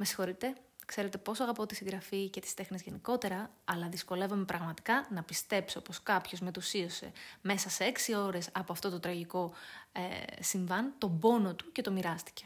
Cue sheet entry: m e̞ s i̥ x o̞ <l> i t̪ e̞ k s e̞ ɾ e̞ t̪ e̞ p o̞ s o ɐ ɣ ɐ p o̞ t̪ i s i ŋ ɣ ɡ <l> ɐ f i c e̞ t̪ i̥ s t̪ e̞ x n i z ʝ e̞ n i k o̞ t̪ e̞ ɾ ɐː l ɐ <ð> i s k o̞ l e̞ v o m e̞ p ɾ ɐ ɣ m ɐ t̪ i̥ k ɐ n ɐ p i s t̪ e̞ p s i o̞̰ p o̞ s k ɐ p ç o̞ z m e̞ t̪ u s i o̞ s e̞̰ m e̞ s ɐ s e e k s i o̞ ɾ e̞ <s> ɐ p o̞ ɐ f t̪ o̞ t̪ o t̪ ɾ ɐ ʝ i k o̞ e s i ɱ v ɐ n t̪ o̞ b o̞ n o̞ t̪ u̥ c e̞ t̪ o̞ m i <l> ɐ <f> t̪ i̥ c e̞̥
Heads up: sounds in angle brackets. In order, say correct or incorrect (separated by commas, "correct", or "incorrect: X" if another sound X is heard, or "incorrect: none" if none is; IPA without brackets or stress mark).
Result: incorrect: ɾ, incorrect: ɾ, correct, correct, incorrect: ɾ, incorrect: s